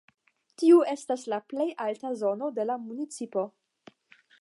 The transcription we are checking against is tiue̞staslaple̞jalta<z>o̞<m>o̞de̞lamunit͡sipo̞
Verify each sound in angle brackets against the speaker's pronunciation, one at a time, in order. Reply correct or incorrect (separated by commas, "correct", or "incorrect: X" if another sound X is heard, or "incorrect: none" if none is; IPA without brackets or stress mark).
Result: correct, incorrect: n